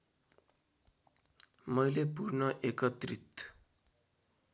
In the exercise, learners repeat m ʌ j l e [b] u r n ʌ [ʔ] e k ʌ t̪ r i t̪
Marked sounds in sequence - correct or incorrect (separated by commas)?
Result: incorrect, correct